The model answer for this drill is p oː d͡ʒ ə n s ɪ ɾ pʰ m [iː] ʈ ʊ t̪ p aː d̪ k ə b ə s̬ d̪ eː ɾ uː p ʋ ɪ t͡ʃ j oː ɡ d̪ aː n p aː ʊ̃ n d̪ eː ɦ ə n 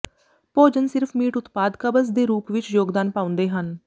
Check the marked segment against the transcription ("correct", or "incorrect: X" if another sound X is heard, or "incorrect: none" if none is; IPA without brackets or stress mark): correct